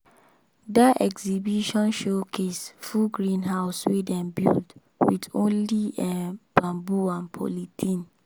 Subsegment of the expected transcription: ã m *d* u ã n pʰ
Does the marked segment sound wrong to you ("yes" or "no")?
yes